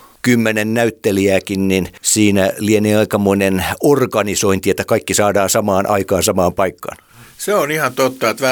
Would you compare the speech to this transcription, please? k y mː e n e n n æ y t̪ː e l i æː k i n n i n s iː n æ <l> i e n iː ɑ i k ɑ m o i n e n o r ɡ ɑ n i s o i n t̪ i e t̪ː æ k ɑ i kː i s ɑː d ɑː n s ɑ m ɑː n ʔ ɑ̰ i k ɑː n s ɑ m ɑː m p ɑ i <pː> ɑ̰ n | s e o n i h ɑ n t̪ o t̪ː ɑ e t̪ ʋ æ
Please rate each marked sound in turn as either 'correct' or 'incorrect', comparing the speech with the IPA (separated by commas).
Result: correct, incorrect